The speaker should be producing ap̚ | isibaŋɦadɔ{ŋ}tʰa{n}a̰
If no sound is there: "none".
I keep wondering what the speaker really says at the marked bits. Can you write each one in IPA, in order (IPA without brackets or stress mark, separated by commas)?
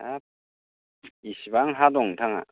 ŋ, ŋ